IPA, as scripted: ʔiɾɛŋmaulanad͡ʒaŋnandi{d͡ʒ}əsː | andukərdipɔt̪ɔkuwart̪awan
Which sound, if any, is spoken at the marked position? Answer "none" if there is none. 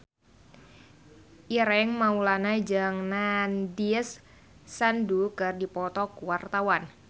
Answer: none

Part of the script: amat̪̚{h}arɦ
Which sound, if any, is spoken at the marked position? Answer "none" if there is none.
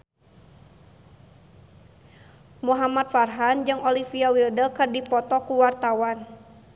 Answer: f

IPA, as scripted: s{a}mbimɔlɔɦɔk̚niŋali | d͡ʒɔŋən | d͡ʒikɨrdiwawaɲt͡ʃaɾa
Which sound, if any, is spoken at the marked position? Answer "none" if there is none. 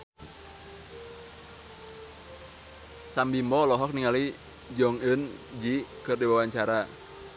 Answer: a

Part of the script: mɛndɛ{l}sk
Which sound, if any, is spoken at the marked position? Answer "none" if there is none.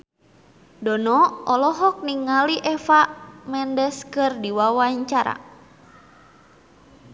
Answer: none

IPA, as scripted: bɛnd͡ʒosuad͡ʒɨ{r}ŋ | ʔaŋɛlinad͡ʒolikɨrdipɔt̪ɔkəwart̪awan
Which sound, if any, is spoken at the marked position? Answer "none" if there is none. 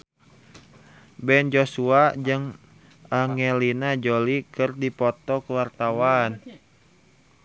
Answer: none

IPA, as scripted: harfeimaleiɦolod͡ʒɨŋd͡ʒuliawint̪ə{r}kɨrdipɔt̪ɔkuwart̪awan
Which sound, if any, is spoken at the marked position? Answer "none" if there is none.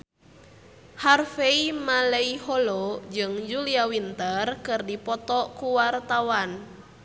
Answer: r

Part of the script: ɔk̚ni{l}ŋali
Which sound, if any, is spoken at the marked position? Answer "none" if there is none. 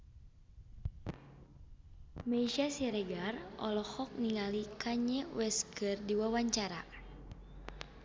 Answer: none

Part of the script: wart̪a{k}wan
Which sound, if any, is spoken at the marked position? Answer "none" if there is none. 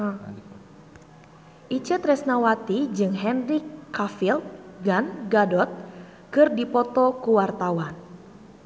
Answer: none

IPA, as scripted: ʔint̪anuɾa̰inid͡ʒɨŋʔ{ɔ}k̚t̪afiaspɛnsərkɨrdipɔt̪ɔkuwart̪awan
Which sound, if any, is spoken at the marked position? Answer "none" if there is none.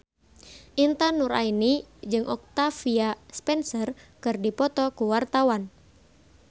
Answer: ɔ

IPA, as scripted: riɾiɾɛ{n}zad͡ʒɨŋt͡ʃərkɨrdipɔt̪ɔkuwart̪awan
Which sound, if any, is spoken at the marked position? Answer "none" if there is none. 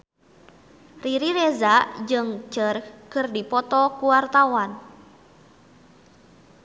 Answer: none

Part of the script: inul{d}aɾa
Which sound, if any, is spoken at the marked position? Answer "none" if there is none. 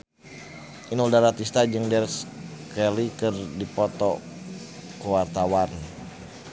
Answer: d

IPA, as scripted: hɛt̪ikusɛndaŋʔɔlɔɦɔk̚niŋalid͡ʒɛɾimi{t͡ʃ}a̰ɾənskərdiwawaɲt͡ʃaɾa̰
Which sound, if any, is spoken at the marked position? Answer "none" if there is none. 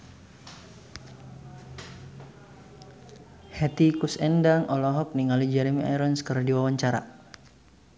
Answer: none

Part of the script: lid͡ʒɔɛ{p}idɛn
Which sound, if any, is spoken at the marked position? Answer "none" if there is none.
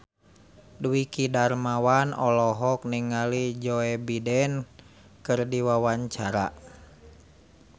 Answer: b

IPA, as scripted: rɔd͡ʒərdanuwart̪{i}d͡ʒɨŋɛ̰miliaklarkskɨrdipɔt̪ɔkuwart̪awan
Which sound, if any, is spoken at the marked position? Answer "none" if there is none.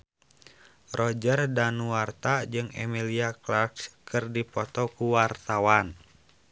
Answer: a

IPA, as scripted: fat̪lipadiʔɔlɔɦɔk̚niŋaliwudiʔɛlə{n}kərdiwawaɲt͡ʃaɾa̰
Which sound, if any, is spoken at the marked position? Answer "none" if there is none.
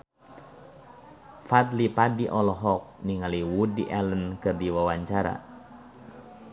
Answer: n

